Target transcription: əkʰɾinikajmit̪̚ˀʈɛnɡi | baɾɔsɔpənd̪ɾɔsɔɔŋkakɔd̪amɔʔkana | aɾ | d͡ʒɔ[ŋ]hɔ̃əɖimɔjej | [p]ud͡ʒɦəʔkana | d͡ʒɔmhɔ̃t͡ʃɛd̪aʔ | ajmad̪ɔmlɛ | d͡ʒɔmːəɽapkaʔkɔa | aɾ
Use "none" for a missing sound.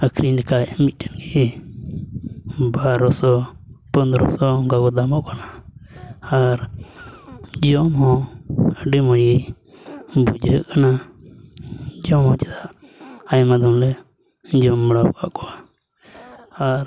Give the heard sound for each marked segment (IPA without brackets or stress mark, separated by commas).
m, b